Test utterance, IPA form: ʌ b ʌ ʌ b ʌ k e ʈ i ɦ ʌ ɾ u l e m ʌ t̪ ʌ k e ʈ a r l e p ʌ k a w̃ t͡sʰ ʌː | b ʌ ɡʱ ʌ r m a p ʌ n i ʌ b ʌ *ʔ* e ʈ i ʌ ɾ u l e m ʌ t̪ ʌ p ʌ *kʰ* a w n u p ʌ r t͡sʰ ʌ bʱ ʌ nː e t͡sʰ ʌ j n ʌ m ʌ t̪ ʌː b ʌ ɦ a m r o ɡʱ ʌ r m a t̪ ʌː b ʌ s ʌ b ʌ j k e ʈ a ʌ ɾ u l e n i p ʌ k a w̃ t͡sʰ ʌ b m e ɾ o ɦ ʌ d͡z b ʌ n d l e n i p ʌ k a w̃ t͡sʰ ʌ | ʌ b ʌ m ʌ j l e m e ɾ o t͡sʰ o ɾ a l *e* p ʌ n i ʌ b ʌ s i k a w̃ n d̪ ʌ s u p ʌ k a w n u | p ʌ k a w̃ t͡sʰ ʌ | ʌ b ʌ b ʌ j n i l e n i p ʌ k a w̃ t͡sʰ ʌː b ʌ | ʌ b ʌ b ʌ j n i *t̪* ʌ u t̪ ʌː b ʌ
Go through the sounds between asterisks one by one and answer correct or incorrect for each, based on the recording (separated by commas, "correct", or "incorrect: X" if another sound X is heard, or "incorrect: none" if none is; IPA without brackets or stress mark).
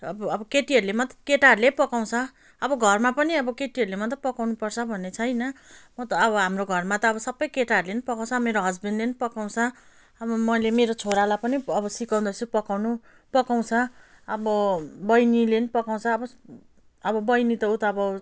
incorrect: k, incorrect: k, incorrect: a, correct